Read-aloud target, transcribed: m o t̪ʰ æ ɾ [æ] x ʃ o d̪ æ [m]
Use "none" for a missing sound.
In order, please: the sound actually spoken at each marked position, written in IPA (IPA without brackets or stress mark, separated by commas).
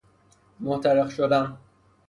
e, n